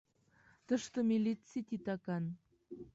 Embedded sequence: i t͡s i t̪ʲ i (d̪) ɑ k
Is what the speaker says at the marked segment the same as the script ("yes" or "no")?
no